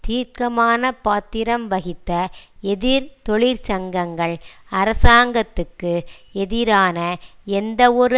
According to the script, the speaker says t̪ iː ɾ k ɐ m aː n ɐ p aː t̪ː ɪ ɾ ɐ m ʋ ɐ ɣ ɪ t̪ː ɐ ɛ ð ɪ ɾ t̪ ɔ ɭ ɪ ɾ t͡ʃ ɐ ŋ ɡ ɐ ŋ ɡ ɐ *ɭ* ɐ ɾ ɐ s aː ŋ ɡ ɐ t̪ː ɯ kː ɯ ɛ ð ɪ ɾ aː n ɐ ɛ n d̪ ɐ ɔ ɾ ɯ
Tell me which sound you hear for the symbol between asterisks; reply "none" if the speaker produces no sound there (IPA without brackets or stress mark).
ɭ